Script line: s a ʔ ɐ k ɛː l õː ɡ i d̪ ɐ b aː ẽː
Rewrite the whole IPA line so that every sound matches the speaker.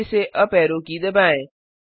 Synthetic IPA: s e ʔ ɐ p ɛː ɾ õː k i d̪ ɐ b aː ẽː